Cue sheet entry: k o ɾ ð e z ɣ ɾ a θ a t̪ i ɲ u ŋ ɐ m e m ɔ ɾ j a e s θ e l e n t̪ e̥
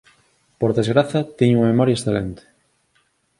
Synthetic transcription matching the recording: p o ɾ ð e z ɣ ɾ a θ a t̪ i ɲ u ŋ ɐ m e m ɔ ɾ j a e s θ e l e n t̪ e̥